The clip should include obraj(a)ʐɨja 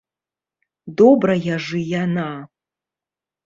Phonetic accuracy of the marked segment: correct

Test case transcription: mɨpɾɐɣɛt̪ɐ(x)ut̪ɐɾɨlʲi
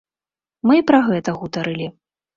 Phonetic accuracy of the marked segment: incorrect: ɣ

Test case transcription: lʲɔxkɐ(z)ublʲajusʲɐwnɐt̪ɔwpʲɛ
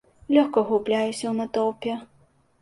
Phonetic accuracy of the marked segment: incorrect: ɣ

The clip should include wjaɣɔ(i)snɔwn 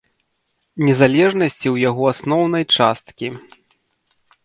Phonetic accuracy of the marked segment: incorrect: a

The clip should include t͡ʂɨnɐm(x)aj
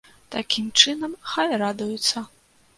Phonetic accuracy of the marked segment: correct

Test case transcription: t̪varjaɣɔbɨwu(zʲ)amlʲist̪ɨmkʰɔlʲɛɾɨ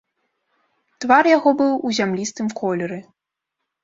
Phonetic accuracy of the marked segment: correct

